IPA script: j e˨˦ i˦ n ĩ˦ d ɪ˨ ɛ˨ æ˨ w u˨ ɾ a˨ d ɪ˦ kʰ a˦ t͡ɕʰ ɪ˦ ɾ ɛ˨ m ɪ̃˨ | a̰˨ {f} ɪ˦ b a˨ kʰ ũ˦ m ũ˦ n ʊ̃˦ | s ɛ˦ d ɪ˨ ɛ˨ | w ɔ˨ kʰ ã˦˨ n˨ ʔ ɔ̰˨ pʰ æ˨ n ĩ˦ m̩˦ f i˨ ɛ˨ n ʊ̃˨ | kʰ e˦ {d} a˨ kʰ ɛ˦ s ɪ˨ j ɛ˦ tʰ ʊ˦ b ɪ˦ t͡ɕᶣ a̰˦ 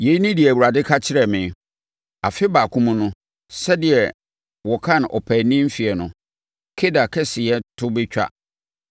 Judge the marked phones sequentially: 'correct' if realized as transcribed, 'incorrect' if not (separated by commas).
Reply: correct, correct